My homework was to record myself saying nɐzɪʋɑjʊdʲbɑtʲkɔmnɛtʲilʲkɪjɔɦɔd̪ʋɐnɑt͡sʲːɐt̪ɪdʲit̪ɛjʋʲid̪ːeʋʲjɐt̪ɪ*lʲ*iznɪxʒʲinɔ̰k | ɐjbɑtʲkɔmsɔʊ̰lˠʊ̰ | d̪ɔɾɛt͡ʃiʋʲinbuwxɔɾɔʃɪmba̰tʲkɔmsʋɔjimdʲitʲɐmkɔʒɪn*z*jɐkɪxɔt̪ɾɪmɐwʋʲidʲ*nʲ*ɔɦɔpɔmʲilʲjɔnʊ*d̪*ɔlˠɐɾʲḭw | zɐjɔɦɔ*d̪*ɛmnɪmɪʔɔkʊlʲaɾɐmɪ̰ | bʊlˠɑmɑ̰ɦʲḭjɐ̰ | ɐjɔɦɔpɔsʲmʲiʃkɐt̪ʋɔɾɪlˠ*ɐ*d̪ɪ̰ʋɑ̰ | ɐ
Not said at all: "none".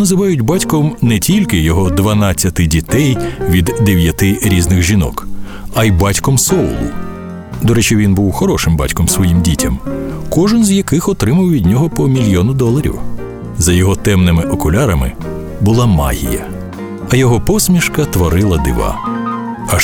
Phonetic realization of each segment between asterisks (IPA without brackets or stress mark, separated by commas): ɾʲ, z, nʲ, d̪, t̪, ɐ